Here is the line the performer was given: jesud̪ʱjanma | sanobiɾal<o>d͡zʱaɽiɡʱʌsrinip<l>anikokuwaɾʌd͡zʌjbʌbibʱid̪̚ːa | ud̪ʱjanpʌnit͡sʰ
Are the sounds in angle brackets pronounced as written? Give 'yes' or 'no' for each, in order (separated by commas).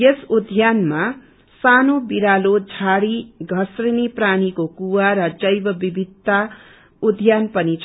yes, no